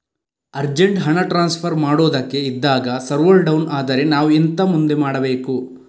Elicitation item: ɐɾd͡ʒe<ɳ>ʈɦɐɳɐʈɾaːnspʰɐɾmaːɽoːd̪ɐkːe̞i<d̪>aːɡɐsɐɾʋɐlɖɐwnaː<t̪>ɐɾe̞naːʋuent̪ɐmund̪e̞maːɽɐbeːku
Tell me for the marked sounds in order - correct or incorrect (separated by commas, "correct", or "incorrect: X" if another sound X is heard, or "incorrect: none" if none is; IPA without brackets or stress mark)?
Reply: correct, incorrect: d̪ː, incorrect: d̪